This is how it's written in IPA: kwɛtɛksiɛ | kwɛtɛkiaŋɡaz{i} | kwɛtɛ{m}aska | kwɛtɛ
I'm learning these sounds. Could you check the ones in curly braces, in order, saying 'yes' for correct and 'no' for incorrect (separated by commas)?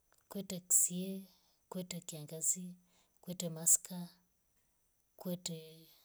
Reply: yes, yes